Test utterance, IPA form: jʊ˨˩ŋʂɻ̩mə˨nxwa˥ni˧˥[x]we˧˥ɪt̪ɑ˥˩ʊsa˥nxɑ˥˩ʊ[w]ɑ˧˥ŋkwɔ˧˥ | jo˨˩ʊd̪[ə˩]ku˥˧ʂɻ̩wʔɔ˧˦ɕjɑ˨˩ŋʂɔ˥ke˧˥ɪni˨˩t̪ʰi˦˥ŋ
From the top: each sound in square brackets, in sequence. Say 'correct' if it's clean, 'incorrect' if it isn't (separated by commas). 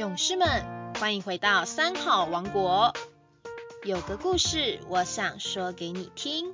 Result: correct, correct, incorrect